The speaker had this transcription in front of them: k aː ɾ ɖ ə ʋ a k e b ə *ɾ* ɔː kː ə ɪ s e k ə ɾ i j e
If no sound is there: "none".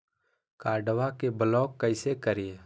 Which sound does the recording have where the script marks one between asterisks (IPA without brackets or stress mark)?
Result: l